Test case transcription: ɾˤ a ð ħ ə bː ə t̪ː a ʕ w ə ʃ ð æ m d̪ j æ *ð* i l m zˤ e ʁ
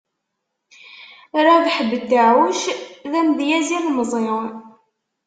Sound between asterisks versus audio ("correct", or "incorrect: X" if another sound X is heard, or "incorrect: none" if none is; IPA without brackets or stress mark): incorrect: z